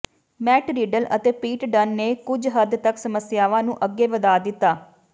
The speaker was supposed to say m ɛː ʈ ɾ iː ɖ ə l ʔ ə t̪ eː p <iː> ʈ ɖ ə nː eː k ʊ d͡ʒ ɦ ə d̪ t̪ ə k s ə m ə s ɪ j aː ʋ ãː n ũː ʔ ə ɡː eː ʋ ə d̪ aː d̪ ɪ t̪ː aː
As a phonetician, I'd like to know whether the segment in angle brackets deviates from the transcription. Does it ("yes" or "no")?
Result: no